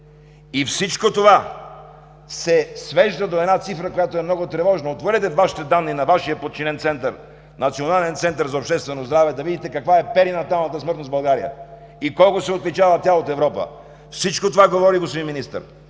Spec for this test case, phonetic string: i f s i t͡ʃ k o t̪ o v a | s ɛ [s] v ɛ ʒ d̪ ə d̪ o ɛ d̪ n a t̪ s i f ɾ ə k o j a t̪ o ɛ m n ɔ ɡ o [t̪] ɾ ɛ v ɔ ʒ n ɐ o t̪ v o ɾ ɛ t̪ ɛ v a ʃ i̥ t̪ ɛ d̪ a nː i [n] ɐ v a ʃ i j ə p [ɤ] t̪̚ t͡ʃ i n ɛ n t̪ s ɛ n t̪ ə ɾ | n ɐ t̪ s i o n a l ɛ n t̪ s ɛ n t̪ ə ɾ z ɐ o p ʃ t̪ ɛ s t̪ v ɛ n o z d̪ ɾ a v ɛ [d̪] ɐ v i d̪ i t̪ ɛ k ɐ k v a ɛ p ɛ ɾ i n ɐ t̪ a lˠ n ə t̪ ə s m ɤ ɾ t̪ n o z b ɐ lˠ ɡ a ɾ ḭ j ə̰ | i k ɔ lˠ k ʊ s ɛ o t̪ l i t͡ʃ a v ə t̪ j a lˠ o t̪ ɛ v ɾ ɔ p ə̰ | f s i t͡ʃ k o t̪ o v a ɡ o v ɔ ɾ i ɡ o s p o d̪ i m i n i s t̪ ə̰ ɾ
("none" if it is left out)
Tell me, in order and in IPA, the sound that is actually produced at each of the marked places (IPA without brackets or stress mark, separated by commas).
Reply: s, t̪, n, o, d̪